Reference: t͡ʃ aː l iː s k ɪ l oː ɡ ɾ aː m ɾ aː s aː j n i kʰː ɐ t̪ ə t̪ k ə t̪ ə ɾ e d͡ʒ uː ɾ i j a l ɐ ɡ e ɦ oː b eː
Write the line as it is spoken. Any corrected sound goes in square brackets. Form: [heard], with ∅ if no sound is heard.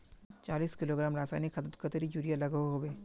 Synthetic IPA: t͡ʃ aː l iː s k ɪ l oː ɡ ɾ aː m ɾ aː s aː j n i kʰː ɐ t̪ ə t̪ k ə t̪ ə ɾ [i] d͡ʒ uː ɾ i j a l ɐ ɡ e ɦ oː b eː